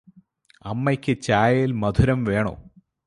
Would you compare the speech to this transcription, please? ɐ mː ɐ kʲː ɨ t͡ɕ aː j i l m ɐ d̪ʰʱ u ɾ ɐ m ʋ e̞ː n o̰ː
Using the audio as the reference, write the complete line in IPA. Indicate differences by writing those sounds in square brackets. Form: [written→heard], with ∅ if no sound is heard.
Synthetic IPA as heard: ɐ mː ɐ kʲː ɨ t͡ɕ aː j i l m ɐ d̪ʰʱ u ɾ ɐ m ʋ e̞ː [n→ɳ] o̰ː